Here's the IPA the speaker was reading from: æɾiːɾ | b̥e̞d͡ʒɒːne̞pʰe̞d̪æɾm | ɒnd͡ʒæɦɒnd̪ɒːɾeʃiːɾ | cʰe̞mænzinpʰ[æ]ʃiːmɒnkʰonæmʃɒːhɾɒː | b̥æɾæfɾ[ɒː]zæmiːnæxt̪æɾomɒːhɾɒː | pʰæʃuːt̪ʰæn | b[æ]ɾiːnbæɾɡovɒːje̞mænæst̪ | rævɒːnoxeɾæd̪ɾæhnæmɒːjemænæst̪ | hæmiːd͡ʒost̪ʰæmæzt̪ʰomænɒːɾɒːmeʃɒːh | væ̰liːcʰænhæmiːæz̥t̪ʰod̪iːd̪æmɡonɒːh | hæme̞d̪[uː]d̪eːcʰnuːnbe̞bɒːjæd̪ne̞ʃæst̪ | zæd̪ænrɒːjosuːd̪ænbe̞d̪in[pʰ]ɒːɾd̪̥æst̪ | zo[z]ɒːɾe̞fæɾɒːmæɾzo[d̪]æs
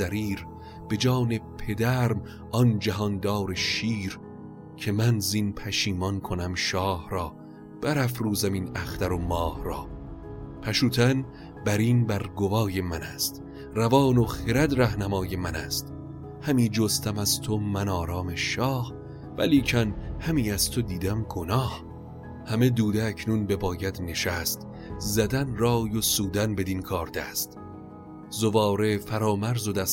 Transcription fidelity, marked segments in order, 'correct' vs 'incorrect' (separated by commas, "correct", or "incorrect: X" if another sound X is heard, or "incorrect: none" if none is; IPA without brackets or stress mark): correct, incorrect: uː, correct, correct, incorrect: kʰ, incorrect: v, correct